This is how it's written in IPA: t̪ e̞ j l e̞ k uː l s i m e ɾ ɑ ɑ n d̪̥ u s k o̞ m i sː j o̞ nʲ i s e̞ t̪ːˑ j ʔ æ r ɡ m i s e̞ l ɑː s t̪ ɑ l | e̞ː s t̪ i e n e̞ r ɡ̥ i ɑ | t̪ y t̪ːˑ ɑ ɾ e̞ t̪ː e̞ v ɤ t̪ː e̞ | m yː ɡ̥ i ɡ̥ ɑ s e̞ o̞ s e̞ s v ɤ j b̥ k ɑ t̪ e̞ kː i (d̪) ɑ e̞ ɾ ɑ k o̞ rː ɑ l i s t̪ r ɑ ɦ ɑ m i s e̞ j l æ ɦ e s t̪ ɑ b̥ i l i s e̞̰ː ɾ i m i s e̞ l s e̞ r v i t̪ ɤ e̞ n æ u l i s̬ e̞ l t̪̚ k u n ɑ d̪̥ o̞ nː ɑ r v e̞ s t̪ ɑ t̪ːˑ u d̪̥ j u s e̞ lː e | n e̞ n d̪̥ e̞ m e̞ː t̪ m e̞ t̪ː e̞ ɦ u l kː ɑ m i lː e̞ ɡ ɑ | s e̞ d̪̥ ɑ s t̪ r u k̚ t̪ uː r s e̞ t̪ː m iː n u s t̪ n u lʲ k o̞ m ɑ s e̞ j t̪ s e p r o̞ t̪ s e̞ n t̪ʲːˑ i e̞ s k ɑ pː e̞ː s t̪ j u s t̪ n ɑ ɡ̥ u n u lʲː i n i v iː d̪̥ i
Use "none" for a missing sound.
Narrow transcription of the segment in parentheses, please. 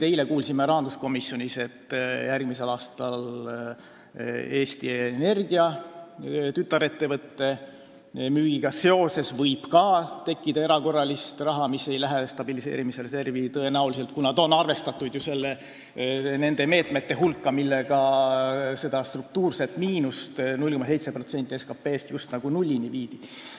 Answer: d̪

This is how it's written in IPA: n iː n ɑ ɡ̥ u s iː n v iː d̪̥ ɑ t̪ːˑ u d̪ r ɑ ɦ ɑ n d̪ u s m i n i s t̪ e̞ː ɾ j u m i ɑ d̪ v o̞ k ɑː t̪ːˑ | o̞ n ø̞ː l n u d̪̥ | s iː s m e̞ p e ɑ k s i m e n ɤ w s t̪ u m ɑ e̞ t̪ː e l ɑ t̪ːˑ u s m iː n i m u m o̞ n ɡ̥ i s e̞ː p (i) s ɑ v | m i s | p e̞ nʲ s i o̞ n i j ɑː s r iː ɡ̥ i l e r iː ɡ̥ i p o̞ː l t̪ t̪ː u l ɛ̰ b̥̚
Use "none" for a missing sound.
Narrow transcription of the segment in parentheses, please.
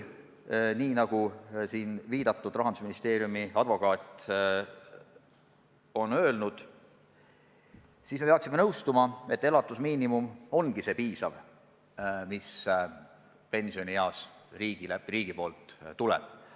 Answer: iː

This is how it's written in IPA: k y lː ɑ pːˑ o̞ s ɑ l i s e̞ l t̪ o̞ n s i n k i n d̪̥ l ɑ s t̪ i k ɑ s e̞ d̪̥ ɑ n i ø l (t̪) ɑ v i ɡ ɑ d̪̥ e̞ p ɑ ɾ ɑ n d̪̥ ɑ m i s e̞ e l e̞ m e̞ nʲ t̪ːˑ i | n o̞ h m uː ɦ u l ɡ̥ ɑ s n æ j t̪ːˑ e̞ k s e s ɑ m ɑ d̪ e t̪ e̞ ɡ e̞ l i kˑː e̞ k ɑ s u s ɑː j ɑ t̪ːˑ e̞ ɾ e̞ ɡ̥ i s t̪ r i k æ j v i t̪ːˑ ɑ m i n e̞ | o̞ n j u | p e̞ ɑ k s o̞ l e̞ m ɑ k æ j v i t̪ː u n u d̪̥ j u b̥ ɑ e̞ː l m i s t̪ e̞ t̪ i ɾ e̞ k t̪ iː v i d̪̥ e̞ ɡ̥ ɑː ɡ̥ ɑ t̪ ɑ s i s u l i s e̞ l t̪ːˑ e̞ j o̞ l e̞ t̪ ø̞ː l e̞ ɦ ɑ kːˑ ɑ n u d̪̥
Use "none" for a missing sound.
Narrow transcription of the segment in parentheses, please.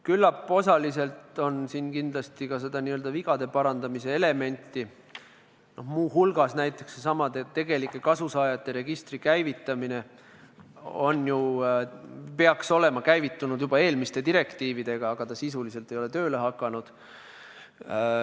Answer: d̪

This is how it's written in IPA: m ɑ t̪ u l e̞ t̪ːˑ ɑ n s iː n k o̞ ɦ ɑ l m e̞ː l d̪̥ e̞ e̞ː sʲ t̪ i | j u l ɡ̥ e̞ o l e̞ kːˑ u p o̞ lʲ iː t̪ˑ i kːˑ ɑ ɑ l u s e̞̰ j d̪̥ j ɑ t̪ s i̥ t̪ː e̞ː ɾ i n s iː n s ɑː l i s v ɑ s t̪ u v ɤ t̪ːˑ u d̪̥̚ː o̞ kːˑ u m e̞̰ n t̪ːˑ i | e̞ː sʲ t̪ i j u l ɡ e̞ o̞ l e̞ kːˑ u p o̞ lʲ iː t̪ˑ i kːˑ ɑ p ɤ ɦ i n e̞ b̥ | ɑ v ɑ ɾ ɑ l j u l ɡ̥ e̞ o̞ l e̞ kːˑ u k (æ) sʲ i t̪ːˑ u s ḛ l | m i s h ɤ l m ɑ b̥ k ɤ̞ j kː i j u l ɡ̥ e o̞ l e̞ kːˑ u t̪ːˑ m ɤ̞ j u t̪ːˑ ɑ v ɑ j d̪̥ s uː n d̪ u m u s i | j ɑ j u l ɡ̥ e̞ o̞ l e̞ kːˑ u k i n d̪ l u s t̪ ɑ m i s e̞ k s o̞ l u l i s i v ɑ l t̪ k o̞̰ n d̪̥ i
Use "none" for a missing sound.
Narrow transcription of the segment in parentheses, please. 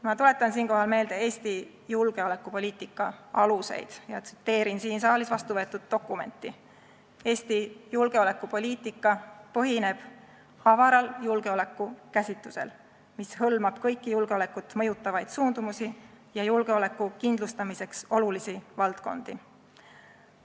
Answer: æ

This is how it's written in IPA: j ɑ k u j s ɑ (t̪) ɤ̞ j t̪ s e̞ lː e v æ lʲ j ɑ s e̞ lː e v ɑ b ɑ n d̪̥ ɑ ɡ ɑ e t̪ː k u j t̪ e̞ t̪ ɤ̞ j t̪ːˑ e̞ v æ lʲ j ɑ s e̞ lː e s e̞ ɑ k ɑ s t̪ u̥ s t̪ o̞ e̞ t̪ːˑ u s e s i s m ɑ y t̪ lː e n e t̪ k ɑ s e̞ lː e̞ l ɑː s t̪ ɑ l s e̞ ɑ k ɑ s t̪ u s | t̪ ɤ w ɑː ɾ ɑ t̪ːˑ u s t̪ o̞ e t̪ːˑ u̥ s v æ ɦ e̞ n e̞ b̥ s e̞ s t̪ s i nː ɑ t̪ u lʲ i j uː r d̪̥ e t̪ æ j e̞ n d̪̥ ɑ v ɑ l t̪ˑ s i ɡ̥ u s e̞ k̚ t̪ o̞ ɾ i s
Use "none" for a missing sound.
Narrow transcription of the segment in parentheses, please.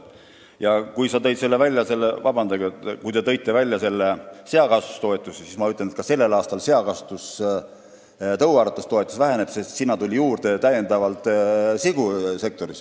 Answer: t̪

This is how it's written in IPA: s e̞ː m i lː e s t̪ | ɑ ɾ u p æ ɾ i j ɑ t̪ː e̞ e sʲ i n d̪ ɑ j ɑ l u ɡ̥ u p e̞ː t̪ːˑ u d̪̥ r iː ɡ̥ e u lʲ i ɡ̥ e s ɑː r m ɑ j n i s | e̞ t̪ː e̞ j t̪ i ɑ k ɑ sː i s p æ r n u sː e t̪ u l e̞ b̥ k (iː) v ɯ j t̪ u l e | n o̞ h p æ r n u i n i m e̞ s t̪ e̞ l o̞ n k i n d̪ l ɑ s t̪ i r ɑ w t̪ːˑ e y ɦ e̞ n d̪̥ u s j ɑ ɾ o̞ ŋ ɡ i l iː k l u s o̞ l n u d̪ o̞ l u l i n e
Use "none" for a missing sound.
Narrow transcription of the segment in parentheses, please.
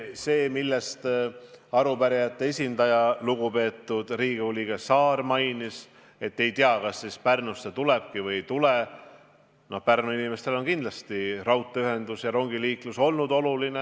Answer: i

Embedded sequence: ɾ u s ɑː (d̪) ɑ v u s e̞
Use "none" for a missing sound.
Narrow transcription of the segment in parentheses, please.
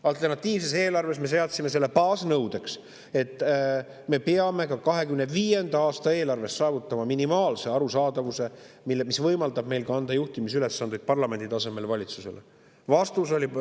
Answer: d̪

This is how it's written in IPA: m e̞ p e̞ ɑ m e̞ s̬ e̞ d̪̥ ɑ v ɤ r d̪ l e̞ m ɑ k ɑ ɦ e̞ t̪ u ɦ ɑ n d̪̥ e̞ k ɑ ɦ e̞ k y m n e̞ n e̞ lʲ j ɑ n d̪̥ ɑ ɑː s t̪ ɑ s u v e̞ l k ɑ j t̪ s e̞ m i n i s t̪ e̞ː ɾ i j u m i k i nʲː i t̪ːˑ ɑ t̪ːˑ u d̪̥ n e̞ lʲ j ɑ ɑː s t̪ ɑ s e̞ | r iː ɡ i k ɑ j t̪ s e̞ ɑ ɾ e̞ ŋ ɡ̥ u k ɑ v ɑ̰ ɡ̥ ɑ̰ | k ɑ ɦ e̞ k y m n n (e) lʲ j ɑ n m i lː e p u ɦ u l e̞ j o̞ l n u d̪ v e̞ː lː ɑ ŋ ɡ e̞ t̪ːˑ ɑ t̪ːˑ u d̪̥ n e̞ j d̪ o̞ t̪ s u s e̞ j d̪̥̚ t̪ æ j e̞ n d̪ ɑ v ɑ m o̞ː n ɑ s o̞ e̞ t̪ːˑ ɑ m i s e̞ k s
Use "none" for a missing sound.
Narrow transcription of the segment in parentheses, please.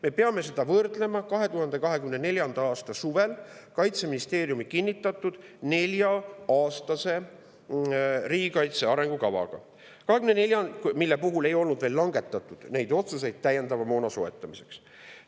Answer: e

